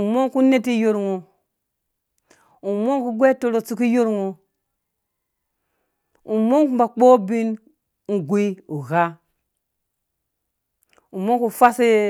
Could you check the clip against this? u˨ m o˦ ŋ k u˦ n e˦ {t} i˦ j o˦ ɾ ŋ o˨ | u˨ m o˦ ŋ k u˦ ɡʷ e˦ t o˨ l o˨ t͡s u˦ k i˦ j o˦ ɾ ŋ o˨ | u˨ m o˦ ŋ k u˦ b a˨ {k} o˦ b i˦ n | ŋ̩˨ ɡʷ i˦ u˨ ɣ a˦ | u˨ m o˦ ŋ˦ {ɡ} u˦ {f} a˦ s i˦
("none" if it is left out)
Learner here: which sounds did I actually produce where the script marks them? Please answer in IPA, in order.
t, k͡p, k, f

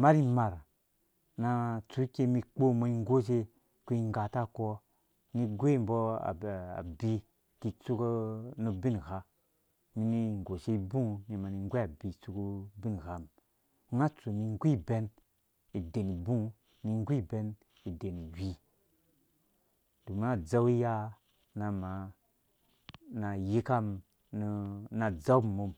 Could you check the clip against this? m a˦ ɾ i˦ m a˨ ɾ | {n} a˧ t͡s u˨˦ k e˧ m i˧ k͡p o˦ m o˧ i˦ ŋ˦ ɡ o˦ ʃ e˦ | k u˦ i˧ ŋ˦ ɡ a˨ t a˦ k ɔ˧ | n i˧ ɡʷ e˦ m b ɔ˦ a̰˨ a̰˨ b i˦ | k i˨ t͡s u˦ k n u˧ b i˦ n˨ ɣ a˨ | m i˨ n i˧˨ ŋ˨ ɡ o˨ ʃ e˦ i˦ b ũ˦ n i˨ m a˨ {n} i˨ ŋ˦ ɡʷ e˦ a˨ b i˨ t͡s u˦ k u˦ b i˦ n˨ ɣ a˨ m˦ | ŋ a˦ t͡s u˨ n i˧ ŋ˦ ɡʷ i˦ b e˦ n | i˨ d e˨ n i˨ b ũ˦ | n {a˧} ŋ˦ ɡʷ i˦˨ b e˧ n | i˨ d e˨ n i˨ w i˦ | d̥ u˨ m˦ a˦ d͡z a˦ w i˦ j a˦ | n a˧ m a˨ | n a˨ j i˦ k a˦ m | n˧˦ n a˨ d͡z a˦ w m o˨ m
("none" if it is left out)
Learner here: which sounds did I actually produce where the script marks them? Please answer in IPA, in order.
n, n, i˧

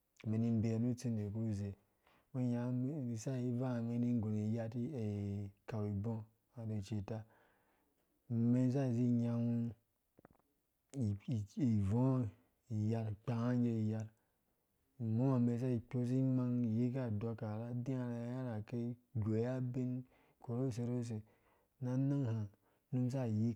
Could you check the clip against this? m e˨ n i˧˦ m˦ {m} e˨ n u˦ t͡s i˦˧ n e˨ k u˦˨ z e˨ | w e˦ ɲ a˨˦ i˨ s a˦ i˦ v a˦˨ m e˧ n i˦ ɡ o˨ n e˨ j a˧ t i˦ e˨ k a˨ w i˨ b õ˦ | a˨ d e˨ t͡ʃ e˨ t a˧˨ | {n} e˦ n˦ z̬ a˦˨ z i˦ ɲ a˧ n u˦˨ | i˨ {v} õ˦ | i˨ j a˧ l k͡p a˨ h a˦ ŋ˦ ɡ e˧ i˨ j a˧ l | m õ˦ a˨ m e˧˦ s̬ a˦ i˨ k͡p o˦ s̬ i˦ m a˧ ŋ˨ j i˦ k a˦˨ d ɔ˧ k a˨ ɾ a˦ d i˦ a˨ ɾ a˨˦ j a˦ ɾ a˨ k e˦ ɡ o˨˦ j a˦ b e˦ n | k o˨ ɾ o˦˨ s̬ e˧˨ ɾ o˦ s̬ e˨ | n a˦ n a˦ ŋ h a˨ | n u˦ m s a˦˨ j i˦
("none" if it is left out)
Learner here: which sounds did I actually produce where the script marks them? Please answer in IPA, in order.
b, m, v

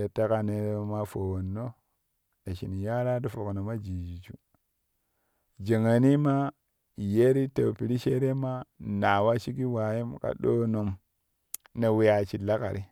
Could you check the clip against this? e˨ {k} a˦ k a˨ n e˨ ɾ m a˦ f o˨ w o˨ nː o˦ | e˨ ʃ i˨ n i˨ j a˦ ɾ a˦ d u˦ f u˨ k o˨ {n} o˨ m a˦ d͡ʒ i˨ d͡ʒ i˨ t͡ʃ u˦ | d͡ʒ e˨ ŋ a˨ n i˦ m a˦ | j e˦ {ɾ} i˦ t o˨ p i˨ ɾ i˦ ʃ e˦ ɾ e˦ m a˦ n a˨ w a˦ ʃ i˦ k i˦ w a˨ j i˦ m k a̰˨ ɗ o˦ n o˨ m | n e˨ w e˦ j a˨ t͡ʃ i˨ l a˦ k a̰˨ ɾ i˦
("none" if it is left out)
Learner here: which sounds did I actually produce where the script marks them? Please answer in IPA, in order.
t, n, ɾ

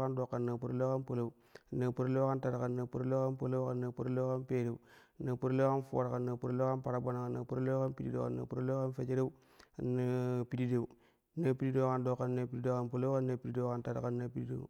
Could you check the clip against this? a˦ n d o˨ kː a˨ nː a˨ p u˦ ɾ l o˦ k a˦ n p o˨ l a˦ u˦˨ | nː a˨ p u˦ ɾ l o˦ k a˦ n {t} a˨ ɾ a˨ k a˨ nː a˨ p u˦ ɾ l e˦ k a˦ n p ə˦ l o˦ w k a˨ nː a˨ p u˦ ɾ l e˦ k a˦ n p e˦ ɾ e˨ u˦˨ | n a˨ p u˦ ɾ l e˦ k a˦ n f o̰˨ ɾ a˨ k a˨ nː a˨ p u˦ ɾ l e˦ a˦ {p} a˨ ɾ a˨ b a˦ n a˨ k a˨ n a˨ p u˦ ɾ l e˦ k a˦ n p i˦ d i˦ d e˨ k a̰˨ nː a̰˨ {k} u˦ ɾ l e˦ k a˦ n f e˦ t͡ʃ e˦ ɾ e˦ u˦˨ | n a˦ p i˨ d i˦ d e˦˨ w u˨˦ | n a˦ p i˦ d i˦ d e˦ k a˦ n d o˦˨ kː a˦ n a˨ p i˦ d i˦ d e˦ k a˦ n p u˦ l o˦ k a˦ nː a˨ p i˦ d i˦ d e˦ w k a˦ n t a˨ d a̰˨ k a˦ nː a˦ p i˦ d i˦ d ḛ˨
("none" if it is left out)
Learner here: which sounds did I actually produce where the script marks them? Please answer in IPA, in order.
t, p, p

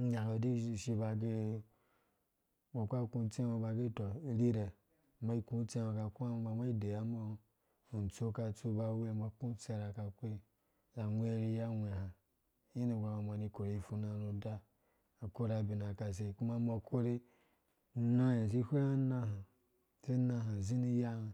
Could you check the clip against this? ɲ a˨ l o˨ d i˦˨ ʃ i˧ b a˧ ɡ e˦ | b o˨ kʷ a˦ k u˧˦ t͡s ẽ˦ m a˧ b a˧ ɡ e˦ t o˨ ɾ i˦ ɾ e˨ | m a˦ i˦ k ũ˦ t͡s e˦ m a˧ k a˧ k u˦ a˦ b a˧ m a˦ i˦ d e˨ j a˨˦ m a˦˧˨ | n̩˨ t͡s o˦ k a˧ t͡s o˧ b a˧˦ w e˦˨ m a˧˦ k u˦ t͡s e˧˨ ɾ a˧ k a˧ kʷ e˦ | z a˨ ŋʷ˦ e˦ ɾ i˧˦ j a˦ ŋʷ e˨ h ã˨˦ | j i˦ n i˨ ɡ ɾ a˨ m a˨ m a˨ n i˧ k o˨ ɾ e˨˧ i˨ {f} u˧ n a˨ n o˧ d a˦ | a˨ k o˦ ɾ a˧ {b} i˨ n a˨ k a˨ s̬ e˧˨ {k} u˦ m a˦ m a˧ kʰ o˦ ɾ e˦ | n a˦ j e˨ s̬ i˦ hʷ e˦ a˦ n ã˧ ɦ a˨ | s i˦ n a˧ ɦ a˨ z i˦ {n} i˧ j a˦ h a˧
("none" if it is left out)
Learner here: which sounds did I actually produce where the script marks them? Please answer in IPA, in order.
f, b, k, n

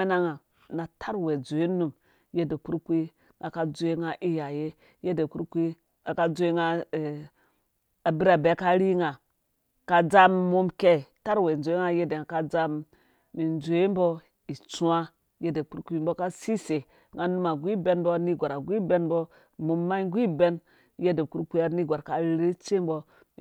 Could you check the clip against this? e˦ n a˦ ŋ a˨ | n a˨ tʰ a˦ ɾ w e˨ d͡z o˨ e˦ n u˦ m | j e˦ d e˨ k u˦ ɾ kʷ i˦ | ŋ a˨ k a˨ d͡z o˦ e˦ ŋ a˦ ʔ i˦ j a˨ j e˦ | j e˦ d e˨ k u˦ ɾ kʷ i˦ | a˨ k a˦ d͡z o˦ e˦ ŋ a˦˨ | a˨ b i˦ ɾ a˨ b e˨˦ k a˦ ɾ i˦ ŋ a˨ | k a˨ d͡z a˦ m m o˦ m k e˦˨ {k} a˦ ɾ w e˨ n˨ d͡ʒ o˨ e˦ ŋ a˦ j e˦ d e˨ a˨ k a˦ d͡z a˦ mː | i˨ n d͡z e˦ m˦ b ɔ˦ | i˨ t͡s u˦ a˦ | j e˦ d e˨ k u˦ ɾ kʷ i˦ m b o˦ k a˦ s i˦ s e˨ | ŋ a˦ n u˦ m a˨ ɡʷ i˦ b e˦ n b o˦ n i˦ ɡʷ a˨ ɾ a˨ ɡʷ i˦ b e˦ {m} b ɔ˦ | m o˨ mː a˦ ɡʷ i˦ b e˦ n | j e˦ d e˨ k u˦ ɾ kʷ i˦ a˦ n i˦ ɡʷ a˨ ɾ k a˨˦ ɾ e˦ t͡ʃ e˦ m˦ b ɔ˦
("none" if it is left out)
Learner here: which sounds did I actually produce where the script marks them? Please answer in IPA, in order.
t, n

